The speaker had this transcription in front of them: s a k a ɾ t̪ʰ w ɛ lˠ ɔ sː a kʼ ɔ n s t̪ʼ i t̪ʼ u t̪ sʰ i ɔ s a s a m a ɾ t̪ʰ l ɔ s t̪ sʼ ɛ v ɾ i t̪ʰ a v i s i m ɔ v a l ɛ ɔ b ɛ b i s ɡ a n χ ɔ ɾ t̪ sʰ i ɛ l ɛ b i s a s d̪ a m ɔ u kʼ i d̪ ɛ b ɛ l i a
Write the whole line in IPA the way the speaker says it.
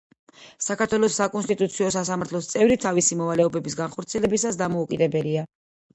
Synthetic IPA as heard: s a k a ɾ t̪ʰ w ɛ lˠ ɔ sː a kʼ ɔ n s t̪ʼ i t̪ʼ u t̪ sʰ i ɔ s a s a m a ɾ t̪ʰ l ɔ s t̪ sʼ ɛ v ɾ i t̪ʰ a v i s i m ɔ v a l ɛ ɔ b ɛ b i s ɡ a n χ ɔ ɾ t̪ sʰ i ɛ l ɛ b i s a s d̪ a m ɔ u kʼ i d̪ ɛ b ɛ l i a